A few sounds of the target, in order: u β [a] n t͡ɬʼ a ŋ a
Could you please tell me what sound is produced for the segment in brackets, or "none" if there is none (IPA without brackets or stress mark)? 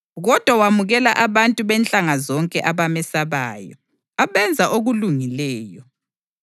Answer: ɛ